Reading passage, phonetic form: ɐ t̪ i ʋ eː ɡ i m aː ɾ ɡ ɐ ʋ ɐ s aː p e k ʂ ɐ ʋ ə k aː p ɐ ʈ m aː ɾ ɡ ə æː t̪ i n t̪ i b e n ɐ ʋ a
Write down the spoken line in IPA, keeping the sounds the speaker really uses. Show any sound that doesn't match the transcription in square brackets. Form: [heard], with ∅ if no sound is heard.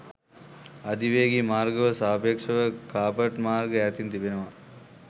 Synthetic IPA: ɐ [d̪] i ʋ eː ɡ i m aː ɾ ɡ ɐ ʋ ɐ s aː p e k ʂ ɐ ʋ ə k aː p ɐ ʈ m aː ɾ ɡ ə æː t̪ i n t̪ i b e n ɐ ʋ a